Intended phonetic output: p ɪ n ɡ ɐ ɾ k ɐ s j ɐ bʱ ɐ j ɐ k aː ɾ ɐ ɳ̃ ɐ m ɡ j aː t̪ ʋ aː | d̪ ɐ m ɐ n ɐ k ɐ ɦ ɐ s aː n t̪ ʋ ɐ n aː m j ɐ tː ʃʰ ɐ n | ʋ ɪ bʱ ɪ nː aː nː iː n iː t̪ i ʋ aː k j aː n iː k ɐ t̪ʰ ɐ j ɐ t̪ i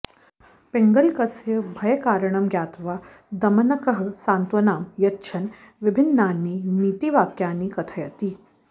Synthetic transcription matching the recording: p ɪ ŋ ɡ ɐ l k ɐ s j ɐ bʱ ɐ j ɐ k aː ɾ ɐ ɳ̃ ɐ m ɡ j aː t̪ ʋ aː | d̪ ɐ m ɐ n ɐ k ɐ ɦ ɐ s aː n t̪ ʋ ɐ n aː m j ɐ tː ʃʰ ɐ n | ʋ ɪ bʱ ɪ nː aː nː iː n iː t̪ i ʋ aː k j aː n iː k ɐ t̪ʰ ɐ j ɐ t̪ i

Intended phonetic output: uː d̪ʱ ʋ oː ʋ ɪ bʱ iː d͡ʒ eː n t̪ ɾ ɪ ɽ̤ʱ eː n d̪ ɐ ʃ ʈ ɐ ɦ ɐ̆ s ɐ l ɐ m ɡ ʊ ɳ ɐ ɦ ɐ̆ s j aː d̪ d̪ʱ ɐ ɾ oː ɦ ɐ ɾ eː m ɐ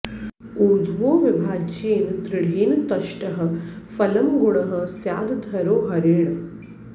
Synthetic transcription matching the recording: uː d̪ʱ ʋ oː ʋ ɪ bʱ aː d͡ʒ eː n t̪ ɾ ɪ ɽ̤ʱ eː n t̪ ɐ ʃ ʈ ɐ ɦ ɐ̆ f ɐ l ɐ m ɡ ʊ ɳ ɐ ɦ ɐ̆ s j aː d̪ d̪ʱ ɐ ɾ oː ɦ ɐ ɾ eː ɳ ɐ

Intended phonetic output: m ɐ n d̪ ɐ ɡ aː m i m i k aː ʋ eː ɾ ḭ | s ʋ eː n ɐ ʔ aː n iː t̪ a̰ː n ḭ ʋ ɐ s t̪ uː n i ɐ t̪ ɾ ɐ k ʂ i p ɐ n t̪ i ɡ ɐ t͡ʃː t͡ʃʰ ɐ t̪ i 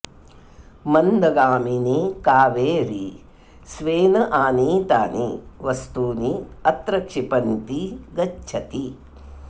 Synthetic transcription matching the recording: m ɐ n d̪ ɐ ɡ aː m i n i k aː ʋ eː ɾ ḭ | s ʋ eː n ɐ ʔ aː n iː t̪ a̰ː n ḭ ʋ ɐ s t̪ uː n i ɐ t̪ ɾ ɐ k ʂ i p ɐ n t̪ i ɡ ɐ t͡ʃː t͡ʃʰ ɐ t̪ i

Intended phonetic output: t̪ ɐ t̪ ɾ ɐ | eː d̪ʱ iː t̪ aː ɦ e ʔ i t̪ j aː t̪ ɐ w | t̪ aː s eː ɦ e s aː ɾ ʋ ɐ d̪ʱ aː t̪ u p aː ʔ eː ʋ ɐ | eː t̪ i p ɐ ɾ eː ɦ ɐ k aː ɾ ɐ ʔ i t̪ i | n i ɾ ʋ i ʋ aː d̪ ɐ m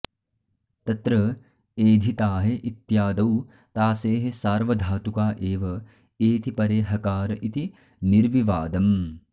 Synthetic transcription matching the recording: t̪ ɐ t̪ ɾ ɐ | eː d̪ʱ i t̪ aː ɦ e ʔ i t̪ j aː d̪ ɐ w | t̪ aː s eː ɦ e s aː ɾ ʋ ɐ d̪ʱ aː t̪ u k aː ʔ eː ʋ ɐ | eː t̪ i p ɐ ɾ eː ɦ ɐ k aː ɾ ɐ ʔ i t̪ i | n i ɾ ʋ i ʋ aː d̪ ɐ m

